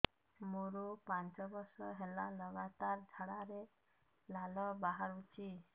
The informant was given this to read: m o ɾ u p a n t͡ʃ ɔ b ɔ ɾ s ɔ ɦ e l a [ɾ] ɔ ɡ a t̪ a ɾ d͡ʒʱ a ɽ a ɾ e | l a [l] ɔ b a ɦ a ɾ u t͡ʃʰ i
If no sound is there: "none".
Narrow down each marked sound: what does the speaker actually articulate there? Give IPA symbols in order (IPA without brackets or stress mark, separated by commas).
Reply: l, l